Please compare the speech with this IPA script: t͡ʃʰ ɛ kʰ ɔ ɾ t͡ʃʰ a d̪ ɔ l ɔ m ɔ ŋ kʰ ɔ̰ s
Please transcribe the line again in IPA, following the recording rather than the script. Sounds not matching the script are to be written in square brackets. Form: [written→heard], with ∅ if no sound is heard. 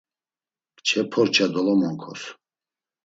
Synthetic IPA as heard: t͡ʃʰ ɛ [kʰ→pʰ] ɔ ɾ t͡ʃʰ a d̪ ɔ l ɔ m ɔ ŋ kʰ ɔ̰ s